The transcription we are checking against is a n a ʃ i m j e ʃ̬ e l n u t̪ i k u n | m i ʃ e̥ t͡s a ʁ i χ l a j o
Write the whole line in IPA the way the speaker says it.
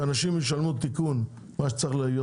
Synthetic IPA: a n a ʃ i m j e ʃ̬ a l m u t̪ i k u n | m a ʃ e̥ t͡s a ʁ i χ l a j o